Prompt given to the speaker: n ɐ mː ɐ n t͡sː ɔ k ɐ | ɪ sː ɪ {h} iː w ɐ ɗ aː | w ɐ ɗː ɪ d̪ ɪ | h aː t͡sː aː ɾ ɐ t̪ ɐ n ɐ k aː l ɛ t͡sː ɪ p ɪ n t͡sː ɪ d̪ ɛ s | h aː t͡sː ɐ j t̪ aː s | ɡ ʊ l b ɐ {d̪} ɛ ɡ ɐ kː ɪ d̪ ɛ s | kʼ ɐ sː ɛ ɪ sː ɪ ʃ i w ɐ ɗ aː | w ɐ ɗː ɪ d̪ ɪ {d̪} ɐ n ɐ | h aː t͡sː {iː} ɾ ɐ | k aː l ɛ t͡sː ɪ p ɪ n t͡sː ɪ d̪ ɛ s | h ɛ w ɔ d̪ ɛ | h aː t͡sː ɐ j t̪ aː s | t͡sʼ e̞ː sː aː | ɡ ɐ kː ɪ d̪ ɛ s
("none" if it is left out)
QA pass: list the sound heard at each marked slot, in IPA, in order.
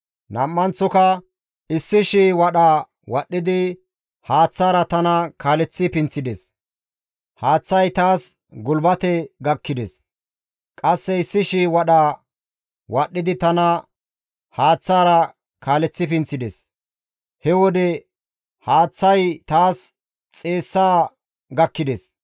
ʃ, t̪, t̪, aː

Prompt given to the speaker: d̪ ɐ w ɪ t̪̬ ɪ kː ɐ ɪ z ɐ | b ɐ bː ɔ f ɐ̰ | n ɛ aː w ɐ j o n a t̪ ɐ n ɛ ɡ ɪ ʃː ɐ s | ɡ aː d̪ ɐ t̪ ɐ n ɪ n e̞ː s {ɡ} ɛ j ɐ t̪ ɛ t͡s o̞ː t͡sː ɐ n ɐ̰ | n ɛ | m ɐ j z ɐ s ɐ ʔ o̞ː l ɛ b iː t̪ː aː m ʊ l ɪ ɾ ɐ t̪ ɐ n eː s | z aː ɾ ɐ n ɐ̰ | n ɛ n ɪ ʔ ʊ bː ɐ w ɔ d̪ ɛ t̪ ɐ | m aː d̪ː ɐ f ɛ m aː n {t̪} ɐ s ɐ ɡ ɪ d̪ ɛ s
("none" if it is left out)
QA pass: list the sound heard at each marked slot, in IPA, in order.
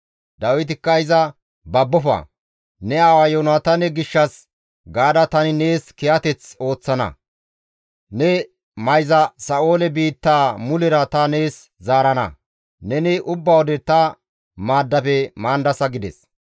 k, d̪

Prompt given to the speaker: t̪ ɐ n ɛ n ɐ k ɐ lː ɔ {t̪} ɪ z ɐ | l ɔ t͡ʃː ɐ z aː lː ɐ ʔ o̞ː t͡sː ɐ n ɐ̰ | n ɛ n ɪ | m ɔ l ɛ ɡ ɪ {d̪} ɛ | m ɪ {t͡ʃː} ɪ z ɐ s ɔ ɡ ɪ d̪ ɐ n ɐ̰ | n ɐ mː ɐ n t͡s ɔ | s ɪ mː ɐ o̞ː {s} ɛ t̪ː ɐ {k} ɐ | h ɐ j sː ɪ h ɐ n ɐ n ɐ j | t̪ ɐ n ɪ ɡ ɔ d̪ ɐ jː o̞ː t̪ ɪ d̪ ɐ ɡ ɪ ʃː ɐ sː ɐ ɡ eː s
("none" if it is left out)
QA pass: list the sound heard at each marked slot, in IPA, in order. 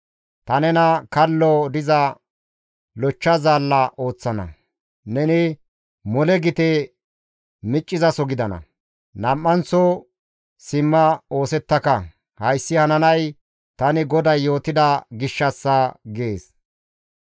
d̪, t̪, t͡ʃʼː, s, k

